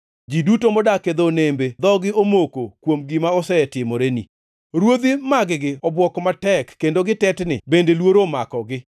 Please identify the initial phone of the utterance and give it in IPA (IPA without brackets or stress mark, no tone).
d͡ʒ